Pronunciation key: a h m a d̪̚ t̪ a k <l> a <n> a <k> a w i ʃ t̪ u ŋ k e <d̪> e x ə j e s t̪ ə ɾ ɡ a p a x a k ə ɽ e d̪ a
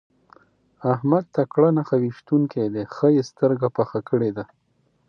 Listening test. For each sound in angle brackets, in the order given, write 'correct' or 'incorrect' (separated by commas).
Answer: incorrect, correct, incorrect, correct